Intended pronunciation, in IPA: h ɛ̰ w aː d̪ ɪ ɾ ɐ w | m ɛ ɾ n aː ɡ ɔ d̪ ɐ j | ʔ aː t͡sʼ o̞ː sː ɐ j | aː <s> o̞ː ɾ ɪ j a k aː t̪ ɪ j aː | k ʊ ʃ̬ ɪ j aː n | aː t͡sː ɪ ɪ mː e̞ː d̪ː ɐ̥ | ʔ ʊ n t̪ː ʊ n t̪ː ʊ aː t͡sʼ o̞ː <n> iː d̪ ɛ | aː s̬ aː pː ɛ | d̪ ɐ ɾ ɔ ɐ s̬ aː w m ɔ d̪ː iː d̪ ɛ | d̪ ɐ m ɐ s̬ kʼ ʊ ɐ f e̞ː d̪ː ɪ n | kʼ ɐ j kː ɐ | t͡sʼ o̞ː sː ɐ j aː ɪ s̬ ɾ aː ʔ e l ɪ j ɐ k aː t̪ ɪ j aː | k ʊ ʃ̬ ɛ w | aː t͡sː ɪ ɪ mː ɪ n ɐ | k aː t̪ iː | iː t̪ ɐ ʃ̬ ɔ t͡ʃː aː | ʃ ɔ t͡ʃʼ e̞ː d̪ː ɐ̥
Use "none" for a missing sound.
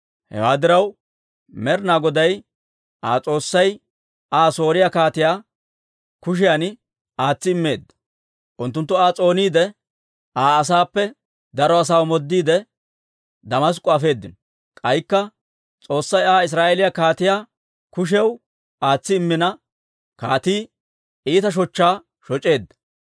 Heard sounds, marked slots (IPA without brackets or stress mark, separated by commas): s, n